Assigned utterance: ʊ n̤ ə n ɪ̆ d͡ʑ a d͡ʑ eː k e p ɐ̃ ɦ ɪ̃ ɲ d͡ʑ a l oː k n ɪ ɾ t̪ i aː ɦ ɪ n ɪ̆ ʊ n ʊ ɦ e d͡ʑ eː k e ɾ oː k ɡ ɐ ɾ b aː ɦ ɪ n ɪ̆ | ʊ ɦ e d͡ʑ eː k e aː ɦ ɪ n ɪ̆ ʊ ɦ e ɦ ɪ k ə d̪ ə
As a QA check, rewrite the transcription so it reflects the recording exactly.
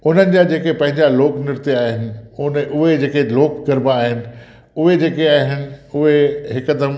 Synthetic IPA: ʊ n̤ ə n ɪ̆ d͡ʑ a d͡ʑ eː k e p ɐ̃ ɦ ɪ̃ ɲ d͡ʑ a l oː k n ɪ ɾ t̪ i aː ɦ ɪ n ɪ̆ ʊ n ʊ ɦ e d͡ʑ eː k e l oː k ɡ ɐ ɾ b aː ɦ ɪ n ɪ̆ | ʊ ɦ e d͡ʑ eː k e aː ɦ ɪ n ɪ̆ ʊ ɦ e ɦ ɪ k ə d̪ ə